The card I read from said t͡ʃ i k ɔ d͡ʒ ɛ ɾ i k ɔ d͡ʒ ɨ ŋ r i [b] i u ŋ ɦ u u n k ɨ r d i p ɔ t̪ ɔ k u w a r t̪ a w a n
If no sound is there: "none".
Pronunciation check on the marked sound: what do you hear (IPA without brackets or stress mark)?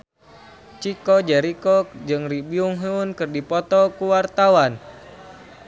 b